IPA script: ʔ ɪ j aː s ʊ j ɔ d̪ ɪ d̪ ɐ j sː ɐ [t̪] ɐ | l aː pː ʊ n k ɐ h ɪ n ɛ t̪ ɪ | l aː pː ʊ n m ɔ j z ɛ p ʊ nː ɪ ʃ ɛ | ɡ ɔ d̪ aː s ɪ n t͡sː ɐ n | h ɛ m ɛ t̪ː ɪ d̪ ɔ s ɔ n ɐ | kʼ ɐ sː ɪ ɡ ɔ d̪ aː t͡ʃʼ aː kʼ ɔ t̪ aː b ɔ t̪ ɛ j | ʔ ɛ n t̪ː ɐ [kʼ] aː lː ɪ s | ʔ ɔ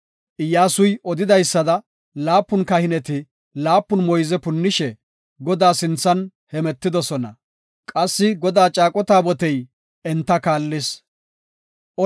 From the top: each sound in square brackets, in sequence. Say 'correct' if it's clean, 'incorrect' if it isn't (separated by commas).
incorrect, incorrect